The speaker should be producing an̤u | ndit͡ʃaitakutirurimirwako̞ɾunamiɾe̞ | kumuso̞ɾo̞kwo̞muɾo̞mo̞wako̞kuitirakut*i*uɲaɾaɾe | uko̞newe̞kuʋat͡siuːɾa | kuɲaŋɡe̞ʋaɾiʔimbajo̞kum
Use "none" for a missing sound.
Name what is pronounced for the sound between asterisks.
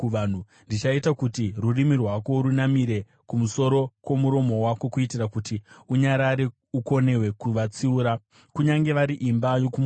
i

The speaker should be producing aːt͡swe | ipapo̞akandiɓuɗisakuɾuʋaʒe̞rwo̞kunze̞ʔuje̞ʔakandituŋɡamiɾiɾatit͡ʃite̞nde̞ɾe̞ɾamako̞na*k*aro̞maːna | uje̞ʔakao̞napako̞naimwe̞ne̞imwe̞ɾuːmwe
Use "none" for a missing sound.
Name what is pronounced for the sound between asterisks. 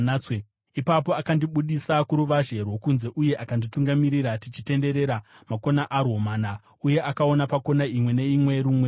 ʔ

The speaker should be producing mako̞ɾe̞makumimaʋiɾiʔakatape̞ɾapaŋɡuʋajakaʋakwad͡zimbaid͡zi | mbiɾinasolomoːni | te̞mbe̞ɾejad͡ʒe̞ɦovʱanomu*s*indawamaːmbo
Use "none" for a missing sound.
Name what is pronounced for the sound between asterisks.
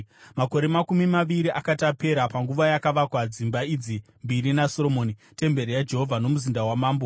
z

